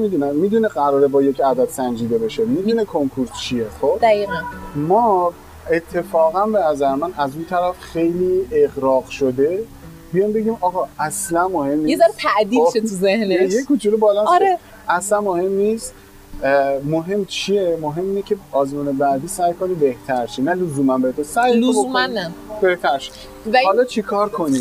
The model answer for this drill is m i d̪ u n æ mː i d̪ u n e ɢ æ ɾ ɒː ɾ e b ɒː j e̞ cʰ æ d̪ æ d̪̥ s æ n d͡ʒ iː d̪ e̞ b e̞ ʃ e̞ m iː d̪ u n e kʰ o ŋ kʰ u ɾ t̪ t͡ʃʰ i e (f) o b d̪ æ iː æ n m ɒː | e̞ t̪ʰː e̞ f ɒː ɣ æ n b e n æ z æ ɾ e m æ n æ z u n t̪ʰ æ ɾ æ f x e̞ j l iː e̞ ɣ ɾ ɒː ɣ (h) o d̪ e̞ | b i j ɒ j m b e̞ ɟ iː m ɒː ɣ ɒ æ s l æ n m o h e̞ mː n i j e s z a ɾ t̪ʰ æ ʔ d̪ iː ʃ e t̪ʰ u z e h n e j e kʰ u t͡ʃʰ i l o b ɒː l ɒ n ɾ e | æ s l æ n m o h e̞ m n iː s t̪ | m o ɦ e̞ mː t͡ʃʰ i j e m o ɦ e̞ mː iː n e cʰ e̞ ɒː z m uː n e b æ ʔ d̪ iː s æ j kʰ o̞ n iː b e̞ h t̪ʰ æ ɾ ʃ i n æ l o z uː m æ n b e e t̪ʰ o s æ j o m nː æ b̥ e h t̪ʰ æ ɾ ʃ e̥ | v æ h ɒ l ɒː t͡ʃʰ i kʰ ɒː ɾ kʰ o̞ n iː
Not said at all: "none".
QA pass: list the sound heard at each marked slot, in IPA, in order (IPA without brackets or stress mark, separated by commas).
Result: x, ʃ